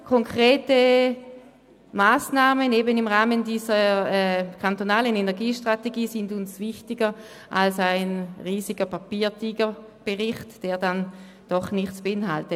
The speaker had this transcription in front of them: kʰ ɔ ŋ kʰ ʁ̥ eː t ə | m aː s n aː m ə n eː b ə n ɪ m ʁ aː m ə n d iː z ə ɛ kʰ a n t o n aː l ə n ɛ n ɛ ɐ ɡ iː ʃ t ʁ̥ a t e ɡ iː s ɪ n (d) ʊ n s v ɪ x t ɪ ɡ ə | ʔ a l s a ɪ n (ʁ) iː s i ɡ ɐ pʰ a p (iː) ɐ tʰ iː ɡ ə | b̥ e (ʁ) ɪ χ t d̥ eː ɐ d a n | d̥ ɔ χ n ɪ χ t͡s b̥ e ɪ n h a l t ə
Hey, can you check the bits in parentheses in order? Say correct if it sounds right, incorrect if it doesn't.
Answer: correct, correct, correct, correct

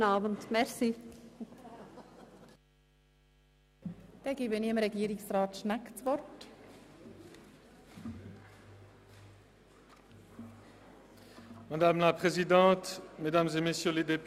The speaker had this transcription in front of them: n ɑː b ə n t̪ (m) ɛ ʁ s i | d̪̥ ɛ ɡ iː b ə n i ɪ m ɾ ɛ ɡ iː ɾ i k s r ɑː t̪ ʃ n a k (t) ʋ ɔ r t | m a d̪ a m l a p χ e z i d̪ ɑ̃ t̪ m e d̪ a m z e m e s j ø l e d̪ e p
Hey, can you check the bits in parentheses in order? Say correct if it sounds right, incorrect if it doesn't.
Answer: correct, incorrect: t͡s

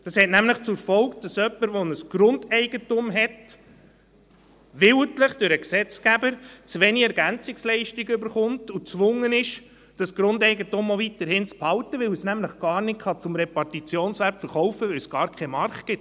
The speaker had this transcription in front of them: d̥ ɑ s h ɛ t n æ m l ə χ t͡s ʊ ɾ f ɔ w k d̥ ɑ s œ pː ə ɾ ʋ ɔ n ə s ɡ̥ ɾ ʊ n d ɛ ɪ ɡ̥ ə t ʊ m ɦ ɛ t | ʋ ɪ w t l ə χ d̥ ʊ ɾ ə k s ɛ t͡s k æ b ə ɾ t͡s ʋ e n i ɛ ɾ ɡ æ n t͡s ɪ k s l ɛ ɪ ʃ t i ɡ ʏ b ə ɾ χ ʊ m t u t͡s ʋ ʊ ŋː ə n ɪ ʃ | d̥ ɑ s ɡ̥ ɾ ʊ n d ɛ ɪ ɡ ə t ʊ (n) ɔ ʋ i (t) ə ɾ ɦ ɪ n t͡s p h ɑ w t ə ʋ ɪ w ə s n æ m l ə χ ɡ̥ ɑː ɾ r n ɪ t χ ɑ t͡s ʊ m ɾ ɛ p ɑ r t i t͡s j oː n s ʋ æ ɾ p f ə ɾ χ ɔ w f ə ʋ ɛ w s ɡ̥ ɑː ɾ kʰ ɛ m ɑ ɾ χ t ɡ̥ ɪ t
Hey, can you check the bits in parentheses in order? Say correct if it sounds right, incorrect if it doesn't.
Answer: incorrect: m, correct

